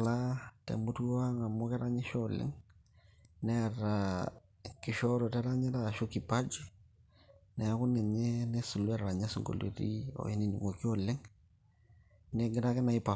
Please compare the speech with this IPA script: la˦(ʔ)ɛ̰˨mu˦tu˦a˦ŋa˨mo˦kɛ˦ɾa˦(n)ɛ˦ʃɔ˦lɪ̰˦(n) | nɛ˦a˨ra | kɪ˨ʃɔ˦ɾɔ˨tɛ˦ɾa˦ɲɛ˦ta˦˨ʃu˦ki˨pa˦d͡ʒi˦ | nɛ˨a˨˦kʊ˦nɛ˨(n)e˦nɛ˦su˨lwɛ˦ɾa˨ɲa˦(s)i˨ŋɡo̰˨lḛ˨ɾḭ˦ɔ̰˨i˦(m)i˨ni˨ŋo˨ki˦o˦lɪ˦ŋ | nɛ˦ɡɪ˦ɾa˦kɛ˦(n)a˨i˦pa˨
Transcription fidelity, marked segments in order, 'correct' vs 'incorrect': incorrect, incorrect, incorrect, incorrect, correct, incorrect, correct

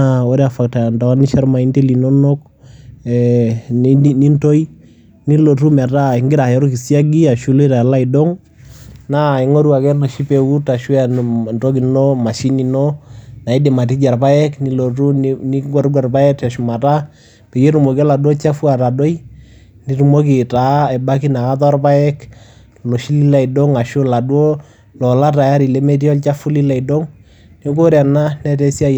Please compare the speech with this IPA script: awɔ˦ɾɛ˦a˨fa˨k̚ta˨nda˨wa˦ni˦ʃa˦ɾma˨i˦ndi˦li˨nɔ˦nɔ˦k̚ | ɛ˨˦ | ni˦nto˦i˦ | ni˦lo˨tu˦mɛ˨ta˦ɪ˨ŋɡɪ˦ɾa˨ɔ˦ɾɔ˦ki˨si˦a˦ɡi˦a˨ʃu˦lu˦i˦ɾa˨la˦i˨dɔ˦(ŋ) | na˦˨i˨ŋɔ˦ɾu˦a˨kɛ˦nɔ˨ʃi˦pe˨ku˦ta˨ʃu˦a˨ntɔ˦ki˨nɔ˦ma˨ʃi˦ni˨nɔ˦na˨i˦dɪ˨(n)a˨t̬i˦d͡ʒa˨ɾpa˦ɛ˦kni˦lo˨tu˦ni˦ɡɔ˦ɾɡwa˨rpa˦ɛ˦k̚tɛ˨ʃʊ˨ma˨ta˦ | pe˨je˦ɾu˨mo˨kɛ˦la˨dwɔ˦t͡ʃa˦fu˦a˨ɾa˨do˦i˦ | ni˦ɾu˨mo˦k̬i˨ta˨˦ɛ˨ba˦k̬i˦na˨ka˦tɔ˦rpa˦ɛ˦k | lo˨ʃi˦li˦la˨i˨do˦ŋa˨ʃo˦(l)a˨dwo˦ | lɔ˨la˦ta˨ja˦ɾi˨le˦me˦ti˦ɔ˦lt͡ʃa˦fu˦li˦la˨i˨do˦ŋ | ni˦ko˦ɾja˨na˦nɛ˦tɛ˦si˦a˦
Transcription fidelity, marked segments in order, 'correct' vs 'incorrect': correct, incorrect, correct

